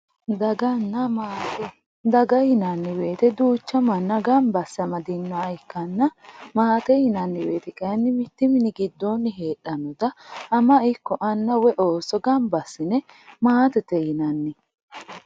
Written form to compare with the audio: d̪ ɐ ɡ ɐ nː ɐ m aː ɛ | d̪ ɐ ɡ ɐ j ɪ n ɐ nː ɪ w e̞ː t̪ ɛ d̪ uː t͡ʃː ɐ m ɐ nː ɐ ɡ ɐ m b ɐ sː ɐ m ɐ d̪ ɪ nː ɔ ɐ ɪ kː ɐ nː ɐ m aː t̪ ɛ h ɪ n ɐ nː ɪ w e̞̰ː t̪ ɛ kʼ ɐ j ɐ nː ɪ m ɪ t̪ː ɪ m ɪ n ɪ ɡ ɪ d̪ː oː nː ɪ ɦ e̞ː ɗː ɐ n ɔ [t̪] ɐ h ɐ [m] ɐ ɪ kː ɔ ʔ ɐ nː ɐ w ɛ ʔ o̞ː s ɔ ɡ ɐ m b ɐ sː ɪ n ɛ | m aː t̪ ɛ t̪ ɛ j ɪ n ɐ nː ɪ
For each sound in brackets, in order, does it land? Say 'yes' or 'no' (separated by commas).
no, yes